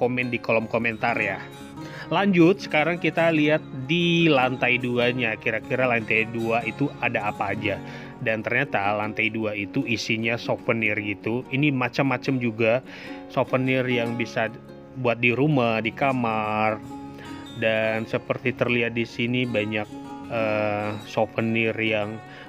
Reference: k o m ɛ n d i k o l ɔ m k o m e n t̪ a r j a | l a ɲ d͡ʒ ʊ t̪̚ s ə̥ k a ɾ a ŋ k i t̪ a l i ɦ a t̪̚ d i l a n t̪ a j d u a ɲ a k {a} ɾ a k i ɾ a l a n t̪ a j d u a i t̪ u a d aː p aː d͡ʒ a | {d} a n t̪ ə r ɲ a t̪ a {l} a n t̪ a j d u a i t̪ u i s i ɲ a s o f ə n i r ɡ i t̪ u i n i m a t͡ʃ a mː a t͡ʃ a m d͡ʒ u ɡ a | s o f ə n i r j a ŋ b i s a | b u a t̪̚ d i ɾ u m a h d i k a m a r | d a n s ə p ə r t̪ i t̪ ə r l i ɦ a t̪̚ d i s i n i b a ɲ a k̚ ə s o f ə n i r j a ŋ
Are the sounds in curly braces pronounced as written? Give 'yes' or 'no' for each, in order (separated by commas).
no, yes, yes